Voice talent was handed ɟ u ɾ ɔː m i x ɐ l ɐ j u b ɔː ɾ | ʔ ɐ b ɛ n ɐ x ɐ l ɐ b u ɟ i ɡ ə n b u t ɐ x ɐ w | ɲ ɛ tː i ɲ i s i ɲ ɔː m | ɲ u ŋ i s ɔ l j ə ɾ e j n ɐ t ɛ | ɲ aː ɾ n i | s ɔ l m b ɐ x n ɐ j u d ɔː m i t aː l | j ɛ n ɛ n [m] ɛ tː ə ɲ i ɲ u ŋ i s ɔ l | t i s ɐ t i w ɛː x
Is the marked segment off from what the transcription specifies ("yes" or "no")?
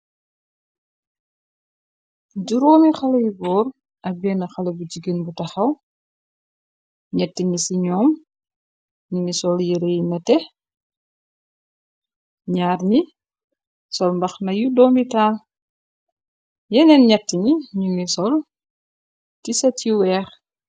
yes